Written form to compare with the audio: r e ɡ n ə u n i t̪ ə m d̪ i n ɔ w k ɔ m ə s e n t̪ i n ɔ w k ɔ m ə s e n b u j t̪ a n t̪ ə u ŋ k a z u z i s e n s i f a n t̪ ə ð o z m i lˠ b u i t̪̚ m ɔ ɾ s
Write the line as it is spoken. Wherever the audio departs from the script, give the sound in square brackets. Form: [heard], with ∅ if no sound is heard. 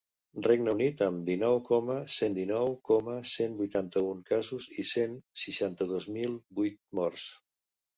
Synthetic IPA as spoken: r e ɡ n ə u n i t̪ ə m d̪ i n ɔ w k ɔ m ə s e n [d̪] i n ɔ w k ɔ m ə s e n b u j t̪ a n t̪ ə u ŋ k a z u z i s e n s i [ʃ] a n t̪ ə ð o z m i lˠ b u [j] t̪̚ m ɔ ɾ s